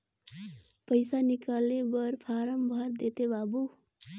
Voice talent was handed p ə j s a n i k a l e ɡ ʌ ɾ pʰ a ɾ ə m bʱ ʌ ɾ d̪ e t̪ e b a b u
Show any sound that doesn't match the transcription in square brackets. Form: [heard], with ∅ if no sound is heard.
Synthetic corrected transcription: p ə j s a n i k a l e [b] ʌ ɾ pʰ a ɾ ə m bʱ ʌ ɾ d̪ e t̪ e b a b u